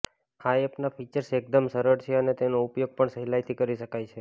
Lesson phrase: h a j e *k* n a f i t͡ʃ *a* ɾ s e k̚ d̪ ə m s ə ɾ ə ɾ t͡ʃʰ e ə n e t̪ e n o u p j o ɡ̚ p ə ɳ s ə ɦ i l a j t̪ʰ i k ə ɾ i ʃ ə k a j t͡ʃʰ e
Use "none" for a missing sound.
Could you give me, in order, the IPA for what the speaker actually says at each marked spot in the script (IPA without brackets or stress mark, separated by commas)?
p, ə